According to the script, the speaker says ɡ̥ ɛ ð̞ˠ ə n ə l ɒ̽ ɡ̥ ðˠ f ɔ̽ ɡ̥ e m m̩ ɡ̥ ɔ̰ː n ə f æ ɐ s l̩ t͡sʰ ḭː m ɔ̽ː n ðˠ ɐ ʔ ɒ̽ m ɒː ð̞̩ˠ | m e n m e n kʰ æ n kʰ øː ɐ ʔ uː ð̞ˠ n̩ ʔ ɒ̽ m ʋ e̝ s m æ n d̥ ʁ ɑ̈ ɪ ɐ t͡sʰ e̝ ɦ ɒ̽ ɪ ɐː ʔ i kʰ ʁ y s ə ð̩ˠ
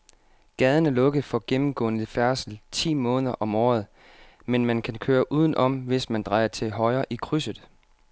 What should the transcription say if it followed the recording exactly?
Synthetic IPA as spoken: ɡ̥ ɛ ð̞ˠ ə n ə l ɔ̽ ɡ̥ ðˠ f ɒ̽ ɡ̥ e m m̩ ɡ̥ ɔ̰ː n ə f æ ɐ s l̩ t͡sʰ ḭː m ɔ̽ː n ðˠ ɐ ʔ ɒ̽ m ɒː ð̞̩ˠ | m e n m æ n kʰ æ n kʰ øː ɐ ʔ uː ð̞ˠ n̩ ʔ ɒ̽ m ʋ e̝ s m æ n d̥ ʁ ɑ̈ ɪ ɐ t͡sʰ e̝ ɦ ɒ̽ ɪ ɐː ʔ i kʰ ʁ y s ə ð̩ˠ